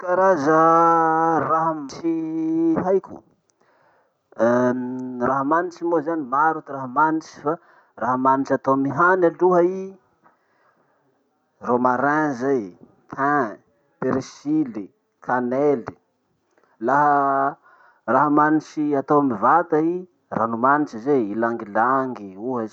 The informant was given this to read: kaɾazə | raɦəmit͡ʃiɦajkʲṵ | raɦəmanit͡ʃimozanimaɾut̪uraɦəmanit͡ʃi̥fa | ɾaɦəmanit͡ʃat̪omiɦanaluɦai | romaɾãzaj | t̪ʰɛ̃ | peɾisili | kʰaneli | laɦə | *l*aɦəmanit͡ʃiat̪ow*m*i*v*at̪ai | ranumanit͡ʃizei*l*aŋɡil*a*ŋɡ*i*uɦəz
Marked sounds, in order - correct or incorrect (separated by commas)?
incorrect, correct, correct, correct, correct, correct